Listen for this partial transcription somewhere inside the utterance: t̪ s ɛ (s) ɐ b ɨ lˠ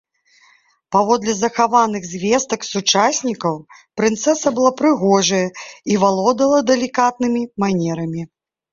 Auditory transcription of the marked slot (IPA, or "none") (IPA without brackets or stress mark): s